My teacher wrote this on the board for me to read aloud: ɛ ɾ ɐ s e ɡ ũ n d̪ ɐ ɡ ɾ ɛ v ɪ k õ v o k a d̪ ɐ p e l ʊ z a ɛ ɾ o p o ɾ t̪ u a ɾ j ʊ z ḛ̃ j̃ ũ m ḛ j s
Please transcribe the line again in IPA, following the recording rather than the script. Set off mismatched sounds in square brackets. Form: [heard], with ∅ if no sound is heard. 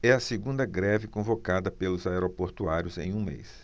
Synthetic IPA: ɛ [∅] ɐ s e ɡ ũ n d̪ ɐ ɡ ɾ ɛ v ɪ k õ v o k a d̪ ɐ p e l ʊ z a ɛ ɾ o p o ɾ t̪ u a ɾ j ʊ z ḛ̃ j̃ ũ m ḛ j s

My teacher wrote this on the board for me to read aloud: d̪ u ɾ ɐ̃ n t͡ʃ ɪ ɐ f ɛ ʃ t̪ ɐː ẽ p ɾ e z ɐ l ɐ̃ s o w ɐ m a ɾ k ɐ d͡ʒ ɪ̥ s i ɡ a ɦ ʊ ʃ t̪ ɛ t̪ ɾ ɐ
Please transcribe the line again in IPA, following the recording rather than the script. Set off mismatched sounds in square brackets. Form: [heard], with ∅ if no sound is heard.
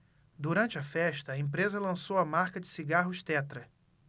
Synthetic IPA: d̪ u ɾ ɐ̃ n t͡ʃ ɪ ɐ f ɛ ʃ t̪ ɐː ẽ p ɾ e z ɐ l ɐ̃ s o w ɐ m a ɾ k ɐ d͡ʒ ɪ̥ s i ɡ a ɦ ʊ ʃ t̪ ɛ t̪ ɾ ɐ

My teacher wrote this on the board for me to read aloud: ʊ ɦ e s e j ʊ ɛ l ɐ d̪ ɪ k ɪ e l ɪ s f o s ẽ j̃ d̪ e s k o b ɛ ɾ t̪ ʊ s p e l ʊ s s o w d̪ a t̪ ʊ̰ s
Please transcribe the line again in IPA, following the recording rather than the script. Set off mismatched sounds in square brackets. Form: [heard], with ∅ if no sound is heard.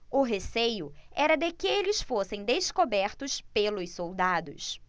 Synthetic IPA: ʊ ɦ e s e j ʊ ɛ [ɾ] ɐ d̪ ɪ k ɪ e l ɪ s f o s ẽ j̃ d̪ e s k o b ɛ ɾ t̪ ʊ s p e l ʊ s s o w d̪ a [d̪] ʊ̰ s

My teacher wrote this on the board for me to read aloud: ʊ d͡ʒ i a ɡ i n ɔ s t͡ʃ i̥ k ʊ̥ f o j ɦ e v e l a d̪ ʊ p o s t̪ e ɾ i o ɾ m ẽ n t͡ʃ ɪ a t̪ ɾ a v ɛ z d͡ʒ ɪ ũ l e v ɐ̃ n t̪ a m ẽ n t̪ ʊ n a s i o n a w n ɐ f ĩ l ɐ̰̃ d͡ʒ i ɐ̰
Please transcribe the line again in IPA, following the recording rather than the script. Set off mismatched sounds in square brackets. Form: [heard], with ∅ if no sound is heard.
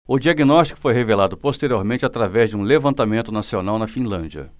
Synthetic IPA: ʊ d͡ʒ i a ɡ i n ɔ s t͡ʃ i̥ k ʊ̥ f o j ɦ e v e l a d̪ ʊ p o s t̪ e ɾ i o ɾ m ẽ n t͡ʃ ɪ a t̪ ɾ a v ɛ z d͡ʒ ɪ ũ l e v ɐ̃ n t̪ a m ẽ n t̪ ʊ n a s i o n a w n ɐ f ĩ l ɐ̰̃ d͡ʒ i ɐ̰

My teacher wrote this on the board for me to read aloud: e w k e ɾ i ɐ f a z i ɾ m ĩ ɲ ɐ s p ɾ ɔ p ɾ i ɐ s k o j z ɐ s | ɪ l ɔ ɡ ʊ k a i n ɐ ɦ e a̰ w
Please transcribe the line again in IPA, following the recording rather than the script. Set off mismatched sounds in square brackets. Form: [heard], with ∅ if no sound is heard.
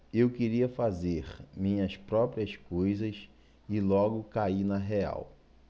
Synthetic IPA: e w k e ɾ i ɐ f a z [e] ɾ m ĩ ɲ ɐ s p ɾ ɔ p ɾ i ɐ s k o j z ɐ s | ɪ l ɔ ɡ ʊ k a i n ɐ ɦ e a̰ w

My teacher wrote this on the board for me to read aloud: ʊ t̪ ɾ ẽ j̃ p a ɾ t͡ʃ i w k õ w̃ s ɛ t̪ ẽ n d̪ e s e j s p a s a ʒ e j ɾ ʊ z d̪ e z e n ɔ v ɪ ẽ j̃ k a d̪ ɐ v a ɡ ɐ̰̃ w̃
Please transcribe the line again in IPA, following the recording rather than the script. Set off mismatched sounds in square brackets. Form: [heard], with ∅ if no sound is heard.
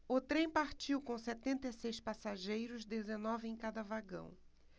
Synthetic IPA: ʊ t̪ ɾ ẽ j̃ p a ɾ t͡ʃ i w k õ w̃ s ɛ t̪ ẽ n [t̪] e s e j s p a s a ʒ e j ɾ ʊ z d̪ e z e n ɔ v ɪ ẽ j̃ k a d̪ ɐ v a ɡ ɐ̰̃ w̃

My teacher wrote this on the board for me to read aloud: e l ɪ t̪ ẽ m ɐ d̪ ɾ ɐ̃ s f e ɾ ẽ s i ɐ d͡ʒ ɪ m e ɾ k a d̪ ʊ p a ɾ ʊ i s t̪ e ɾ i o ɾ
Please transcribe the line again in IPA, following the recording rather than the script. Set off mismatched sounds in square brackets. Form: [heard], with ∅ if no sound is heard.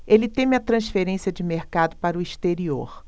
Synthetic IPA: e l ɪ t̪ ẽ m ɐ [t̪] ɾ ɐ̃ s f e ɾ ẽ s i ɐ d͡ʒ ɪ m e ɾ k a d̪ ʊ p a ɾ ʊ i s t̪ e ɾ i o ɾ

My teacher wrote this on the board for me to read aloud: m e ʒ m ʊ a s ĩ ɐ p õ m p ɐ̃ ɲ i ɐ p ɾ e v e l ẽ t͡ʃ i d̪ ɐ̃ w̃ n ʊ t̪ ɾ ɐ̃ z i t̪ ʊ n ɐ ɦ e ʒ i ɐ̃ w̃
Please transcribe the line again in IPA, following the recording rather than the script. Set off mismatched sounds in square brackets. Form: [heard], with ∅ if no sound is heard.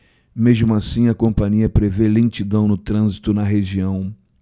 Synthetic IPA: m e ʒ m ʊ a s ĩ ɐ [k] õ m p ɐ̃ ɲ i ɐ p ɾ e v e l ẽ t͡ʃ i d̪ ɐ̃ w̃ n ʊ t̪ ɾ ɐ̃ z i t̪ ʊ n ɐ ɦ e ʒ i ɐ̃ w̃

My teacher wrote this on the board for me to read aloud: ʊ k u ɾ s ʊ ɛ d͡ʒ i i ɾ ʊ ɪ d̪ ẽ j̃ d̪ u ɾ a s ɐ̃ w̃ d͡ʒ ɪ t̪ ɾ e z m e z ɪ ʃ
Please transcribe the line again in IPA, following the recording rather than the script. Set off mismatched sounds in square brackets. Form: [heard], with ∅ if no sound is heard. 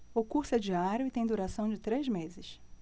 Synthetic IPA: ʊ k u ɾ s ʊ ɛ d͡ʒ i [a] ɾ ʊ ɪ [t̪] ẽ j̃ d̪ u ɾ a s ɐ̃ w̃ d͡ʒ ɪ t̪ ɾ e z m e z ɪ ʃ

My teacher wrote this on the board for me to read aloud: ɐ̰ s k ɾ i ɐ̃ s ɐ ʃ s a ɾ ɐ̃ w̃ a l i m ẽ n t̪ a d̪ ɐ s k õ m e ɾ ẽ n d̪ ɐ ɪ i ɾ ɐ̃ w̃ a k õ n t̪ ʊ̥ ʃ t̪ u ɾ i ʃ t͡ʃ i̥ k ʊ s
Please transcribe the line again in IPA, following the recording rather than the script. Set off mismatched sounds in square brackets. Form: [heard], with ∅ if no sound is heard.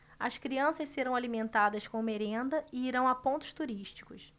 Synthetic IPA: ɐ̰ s k ɾ i ɐ̃ s ɐ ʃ s [e] ɾ ɐ̃ w̃ a l i m ẽ n t̪ a d̪ ɐ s k õ m e ɾ ẽ n d̪ ɐ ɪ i ɾ ɐ̃ w̃ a [p] õ n t̪ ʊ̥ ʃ t̪ u ɾ i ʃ t͡ʃ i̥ k ʊ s

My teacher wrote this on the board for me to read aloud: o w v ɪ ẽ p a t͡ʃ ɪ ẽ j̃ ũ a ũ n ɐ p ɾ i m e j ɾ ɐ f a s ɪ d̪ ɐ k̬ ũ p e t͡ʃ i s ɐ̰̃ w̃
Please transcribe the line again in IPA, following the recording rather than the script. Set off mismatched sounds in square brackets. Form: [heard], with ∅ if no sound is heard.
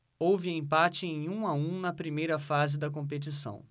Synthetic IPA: o w v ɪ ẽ p a t͡ʃ ɪ ẽ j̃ ũ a ũ n ɐ p ɾ i m e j ɾ ɐ f a [z] ɪ d̪ ɐ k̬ [õ] p e t͡ʃ i s ɐ̰̃ w̃

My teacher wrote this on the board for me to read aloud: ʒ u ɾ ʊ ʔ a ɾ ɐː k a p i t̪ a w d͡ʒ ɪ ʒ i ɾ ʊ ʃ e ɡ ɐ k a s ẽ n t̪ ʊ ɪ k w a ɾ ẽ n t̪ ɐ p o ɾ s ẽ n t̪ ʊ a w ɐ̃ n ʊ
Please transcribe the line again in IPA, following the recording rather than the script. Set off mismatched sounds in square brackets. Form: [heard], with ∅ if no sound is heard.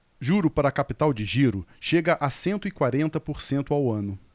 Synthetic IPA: ʒ u ɾ ʊ [p] a ɾ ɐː k a p i t̪ a w d͡ʒ ɪ ʒ i ɾ ʊ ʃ e ɡ ɐ [ʔ] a s ẽ n t̪ ʊ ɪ k w a ɾ ẽ n t̪ ɐ p o ɾ s ẽ n t̪ ʊ a w ɐ̃ n ʊ

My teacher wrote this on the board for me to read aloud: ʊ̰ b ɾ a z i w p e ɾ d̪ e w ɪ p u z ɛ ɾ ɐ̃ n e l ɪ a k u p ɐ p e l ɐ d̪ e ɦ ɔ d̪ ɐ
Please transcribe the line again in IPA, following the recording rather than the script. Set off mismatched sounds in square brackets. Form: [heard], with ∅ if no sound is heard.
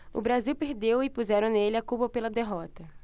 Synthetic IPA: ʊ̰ b ɾ a z i w p e ɾ d̪ e w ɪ p u z ɛ ɾ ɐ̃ n e l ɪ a k u p ɐ p e l ɐ d̪ e ɦ ɔ [t̪] ɐ

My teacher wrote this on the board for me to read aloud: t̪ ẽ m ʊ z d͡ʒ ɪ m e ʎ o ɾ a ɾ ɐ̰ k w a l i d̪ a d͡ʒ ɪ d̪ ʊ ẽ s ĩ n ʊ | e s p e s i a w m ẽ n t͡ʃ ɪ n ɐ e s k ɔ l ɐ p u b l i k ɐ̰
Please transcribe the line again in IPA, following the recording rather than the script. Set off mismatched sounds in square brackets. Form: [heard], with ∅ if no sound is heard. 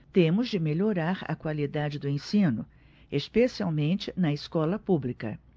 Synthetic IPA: t̪ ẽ m ʊ z d͡ʒ ɪ m e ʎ o ɾ a ɾ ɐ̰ k w a l i d̪ a d͡ʒ ɪ d̪ ʊ ẽ s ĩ n ʊ | e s p e s i a w m ẽ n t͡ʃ ɪ n ɐ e s k ɔ l ɐ p u b l i k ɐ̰

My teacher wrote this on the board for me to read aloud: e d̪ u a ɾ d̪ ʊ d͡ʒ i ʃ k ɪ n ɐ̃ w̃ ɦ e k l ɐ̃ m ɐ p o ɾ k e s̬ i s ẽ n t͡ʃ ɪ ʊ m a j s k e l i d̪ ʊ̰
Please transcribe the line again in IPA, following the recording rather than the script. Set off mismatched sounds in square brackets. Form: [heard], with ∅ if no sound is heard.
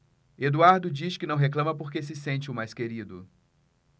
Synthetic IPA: e d̪ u a ɾ d̪ ʊ d͡ʒ i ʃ k ɪ n ɐ̃ w̃ ɦ e k l ɐ̃ m ɐ p o ɾ k e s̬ [ɪ] s ẽ n t͡ʃ ɪ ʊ m a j s k e [ɾ] i d̪ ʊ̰

